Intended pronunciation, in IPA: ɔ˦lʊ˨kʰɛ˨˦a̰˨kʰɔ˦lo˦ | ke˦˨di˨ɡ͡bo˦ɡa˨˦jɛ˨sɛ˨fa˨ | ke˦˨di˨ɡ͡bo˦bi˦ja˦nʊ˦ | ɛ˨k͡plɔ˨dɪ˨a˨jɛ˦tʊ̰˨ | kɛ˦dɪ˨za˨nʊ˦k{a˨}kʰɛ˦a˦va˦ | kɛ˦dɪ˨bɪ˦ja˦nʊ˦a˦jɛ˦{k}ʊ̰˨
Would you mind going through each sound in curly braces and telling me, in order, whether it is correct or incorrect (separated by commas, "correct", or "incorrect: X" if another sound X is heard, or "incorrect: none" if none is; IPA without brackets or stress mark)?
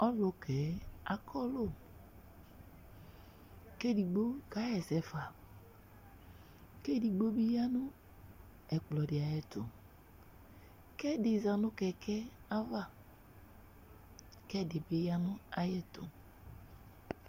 incorrect: ɛ˨, incorrect: t